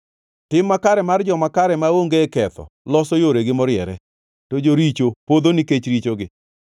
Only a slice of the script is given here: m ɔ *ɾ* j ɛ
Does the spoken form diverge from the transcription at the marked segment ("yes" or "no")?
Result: no